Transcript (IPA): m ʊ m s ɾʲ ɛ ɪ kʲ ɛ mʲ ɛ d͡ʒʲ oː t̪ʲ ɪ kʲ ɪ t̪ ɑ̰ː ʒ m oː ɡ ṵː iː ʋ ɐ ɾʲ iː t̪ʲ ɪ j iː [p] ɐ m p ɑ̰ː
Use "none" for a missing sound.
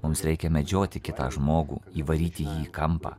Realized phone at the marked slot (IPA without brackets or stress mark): k